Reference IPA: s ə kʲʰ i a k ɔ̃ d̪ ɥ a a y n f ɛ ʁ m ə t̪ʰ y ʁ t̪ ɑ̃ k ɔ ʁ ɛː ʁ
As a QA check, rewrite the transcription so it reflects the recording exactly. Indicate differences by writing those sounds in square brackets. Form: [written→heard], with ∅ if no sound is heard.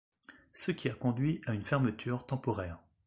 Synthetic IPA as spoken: s ə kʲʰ i a k ɔ̃ d̪ ɥ [a→i] a y n f ɛ ʁ m ə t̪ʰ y ʁ t̪ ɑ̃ [k→p] ɔ ʁ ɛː ʁ